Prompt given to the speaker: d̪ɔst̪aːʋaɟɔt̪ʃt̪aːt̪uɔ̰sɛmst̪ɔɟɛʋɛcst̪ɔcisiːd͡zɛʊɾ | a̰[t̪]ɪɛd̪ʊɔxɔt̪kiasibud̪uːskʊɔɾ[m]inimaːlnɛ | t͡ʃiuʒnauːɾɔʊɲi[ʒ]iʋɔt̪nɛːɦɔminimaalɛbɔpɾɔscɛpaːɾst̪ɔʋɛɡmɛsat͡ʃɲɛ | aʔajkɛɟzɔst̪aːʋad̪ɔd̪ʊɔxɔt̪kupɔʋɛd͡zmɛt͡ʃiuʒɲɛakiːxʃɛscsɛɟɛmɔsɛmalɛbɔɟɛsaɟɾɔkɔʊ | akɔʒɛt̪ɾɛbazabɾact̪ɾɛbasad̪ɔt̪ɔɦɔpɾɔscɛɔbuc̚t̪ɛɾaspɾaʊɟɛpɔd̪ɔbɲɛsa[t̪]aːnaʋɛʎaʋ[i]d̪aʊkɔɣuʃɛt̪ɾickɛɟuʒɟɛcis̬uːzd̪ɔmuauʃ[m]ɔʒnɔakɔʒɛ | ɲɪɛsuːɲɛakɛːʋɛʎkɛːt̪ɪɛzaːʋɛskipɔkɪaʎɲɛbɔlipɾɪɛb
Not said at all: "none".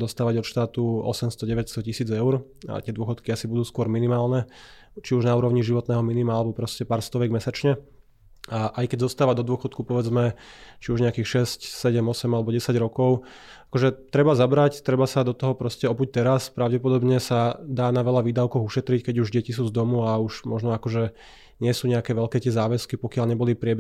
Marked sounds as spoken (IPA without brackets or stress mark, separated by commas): t̪, m, ʒ, d̪, iː, m